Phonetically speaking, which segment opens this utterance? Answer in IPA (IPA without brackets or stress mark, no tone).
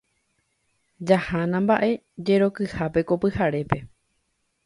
d͡ʒ